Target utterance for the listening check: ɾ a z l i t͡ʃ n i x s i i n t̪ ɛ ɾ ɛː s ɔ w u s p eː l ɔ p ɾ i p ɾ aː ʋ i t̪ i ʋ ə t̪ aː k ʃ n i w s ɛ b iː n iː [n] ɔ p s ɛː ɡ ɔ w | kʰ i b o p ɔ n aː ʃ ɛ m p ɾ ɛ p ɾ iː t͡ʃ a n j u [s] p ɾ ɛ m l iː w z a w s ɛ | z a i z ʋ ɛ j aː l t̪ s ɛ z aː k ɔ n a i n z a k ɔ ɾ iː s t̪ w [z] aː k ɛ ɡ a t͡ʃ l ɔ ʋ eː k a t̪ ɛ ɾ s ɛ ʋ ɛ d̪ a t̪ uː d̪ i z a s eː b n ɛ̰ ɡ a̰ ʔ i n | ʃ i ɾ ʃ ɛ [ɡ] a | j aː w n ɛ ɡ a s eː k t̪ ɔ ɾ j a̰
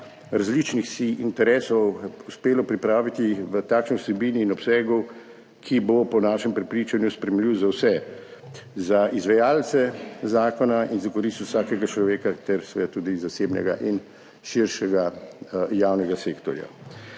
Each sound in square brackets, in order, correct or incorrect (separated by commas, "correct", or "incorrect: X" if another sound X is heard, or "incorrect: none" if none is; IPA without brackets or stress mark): correct, correct, incorrect: s, correct